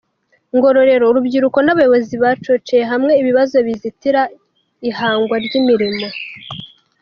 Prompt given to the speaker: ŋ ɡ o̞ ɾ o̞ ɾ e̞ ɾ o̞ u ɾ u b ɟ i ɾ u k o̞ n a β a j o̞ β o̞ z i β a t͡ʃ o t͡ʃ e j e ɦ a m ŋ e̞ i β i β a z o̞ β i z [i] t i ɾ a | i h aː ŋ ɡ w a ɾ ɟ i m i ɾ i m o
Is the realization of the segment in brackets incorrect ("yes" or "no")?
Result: no